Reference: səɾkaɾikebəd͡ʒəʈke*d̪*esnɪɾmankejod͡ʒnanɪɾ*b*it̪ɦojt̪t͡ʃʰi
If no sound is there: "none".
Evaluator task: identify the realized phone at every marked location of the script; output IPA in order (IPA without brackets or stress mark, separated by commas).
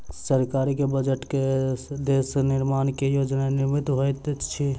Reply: d̪, m